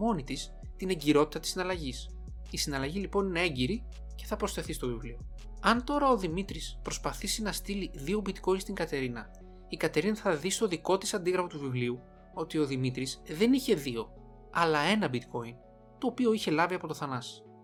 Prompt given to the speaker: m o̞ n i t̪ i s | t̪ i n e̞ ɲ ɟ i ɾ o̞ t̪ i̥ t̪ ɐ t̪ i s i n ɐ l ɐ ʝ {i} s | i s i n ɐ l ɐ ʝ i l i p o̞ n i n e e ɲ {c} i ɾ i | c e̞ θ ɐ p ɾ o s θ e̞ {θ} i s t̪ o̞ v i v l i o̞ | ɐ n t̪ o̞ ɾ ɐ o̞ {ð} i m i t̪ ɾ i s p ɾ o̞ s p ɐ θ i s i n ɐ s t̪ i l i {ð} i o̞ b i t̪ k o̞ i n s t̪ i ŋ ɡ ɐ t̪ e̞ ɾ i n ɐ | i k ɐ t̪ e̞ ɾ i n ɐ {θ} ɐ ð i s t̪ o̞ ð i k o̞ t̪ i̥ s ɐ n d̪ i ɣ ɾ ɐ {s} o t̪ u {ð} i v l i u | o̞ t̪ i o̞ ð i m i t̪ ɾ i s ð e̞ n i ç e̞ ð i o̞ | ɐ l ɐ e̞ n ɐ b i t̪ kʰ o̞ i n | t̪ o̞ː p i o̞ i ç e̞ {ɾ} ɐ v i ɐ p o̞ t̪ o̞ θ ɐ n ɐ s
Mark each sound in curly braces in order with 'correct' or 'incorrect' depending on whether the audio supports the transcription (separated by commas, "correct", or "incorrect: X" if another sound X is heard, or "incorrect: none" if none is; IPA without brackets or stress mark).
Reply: correct, incorrect: ɟ, correct, correct, correct, correct, incorrect: f, incorrect: v, incorrect: l